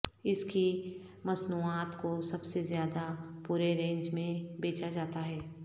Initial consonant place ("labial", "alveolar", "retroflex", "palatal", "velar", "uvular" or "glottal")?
alveolar